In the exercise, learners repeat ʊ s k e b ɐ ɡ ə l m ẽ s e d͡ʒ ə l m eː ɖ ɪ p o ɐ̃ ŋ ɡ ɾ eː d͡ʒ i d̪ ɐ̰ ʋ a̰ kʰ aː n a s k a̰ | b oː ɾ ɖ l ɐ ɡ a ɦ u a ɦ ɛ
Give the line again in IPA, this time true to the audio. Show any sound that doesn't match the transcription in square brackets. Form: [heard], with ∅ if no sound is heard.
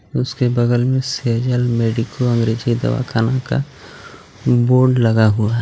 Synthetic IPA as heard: ʊ s k e b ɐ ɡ ə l m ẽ s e d͡ʒ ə l m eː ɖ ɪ [k] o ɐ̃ ŋ ɡ ɾ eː d͡ʒ i d̪ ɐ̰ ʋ a̰ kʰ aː n a [∅] k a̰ | b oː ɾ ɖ l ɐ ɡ a ɦ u a ɦ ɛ